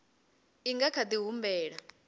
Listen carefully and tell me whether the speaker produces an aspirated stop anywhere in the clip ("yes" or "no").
yes